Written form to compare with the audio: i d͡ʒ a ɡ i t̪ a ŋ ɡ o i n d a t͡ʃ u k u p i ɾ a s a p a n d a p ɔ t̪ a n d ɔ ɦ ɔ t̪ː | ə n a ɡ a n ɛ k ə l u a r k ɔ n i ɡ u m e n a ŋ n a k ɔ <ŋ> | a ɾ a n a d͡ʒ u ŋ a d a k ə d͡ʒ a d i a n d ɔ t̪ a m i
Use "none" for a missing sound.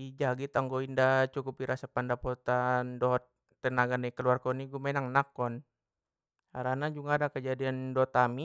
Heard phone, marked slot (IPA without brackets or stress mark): n